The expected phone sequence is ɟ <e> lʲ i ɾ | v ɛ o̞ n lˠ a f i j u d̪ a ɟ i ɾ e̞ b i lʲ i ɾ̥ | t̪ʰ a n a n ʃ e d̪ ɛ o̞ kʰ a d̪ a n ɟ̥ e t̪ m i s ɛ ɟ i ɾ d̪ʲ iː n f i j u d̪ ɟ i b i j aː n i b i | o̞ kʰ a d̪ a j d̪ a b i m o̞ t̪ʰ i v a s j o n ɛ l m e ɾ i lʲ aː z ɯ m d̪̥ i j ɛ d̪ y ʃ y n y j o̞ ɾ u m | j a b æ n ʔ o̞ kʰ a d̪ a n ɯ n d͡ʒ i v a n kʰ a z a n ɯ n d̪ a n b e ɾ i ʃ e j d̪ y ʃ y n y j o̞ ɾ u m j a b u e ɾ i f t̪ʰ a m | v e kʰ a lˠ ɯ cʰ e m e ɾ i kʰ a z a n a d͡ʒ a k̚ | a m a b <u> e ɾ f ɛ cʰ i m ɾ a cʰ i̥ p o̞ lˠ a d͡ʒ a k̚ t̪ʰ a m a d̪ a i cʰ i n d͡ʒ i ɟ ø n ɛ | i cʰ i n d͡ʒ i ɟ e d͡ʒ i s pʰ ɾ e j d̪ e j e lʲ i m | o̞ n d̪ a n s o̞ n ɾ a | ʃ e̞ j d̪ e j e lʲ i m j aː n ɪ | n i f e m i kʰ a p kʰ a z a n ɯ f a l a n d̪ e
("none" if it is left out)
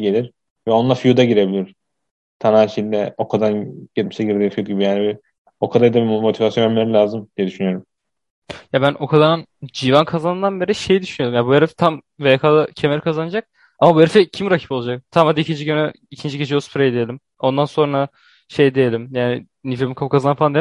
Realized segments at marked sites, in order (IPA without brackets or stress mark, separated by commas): e, u